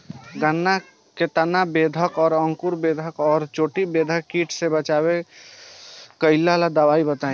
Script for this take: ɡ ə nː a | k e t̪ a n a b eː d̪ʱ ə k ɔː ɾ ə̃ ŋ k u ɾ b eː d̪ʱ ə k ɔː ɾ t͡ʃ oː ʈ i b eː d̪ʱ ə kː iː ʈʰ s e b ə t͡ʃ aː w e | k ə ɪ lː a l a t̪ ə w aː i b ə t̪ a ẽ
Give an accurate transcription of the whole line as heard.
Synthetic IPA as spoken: ɡ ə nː a | k e t̪ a n a b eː d̪ʱ ə k ɔː ɾ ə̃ ŋ k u ɾ b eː d̪ʱ ə k ɔː ɾ t͡ʃ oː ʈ i b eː d̪ʱ ə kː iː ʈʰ s e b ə t͡ʃ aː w e | k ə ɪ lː a l a d̪ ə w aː i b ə t̪ a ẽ